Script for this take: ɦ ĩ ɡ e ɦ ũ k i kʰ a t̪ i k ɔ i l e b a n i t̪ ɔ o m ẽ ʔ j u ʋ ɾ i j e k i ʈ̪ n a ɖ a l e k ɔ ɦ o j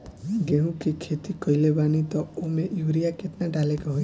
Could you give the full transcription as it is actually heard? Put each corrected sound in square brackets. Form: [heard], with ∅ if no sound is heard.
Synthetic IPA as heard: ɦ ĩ ɡ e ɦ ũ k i kʰ [e] t̪ i k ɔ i l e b a n i t̪ ɔ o m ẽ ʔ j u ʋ ɾ i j [a] k [e] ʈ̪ n a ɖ a l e k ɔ ɦ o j